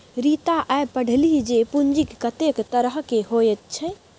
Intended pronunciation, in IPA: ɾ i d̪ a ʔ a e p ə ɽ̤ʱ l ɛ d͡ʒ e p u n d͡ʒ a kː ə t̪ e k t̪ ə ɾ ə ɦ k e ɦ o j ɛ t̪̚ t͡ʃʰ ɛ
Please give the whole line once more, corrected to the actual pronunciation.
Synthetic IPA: ɾ i t̪ a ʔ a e p ə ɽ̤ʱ l i d͡ʒ e p u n d͡ʒ i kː ə t̪ e k t̪ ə ɾ ə ɦ k e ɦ o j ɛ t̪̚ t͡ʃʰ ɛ